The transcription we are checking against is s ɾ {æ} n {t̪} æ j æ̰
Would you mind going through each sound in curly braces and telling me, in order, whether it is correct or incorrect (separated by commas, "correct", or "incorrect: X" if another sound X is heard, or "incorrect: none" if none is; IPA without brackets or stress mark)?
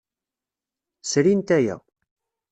incorrect: i, correct